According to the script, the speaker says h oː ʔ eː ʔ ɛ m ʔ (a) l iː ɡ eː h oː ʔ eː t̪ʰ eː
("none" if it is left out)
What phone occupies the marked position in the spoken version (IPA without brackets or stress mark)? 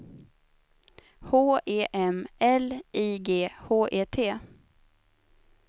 ɛ